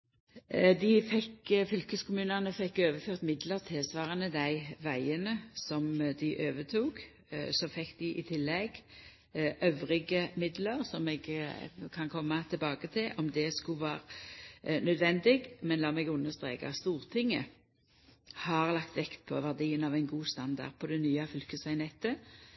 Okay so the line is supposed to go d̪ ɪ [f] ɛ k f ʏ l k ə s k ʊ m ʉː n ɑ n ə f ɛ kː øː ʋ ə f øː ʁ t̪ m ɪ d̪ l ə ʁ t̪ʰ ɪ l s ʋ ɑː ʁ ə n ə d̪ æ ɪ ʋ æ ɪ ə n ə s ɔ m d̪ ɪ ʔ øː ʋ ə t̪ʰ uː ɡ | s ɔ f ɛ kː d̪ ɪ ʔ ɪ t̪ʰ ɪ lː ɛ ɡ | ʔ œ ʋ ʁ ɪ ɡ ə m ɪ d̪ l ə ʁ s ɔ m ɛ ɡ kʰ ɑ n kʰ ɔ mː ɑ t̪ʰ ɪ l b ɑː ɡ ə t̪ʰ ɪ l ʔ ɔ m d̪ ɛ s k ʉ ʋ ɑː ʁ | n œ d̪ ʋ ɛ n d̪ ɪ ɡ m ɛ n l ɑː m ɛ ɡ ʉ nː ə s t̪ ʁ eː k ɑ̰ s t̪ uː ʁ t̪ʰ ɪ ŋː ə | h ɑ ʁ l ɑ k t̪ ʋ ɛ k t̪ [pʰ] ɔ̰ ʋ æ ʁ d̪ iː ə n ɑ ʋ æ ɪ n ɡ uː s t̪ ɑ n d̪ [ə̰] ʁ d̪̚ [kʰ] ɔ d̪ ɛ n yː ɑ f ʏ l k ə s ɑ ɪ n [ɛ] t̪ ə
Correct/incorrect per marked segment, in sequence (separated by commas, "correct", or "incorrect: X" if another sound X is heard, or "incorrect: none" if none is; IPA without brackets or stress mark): correct, correct, incorrect: ɑ̰, incorrect: pʰ, correct